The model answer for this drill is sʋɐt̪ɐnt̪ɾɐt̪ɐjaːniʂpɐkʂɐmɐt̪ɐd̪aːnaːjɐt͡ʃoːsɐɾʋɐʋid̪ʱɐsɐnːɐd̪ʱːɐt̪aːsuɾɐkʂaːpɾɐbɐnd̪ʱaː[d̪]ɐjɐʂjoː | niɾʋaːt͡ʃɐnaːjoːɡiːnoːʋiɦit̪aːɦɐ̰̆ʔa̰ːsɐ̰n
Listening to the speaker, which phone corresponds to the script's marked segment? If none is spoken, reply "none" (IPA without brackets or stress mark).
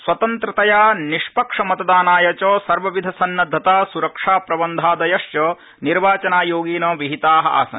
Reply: d̪